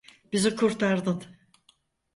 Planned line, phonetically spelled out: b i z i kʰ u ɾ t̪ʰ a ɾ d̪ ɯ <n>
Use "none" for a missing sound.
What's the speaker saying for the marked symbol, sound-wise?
n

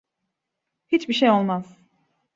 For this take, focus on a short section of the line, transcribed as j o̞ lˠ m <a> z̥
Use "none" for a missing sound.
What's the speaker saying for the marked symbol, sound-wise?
a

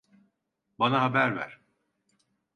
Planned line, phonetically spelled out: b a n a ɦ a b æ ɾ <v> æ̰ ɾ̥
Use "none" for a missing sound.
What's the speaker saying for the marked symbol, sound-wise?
v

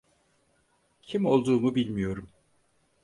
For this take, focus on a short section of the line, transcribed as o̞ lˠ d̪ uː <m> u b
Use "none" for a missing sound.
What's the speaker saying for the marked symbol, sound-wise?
m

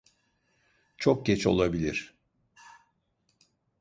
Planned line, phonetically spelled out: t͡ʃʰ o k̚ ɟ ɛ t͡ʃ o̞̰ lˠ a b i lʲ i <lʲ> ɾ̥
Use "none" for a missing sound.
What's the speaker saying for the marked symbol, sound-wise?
none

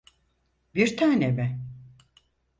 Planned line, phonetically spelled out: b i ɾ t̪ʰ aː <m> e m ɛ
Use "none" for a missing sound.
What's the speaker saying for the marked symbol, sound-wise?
n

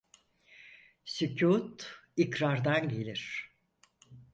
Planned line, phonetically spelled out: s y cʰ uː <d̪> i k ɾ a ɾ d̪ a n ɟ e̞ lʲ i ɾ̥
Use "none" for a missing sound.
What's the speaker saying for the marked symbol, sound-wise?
t̪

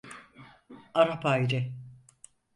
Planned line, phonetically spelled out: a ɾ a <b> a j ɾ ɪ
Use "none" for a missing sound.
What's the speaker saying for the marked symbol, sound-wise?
p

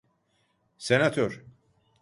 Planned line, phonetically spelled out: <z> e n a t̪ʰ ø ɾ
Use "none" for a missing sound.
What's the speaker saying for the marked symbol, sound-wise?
s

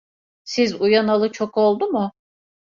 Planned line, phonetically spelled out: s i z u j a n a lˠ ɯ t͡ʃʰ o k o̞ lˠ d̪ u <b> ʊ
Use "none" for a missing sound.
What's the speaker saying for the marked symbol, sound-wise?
m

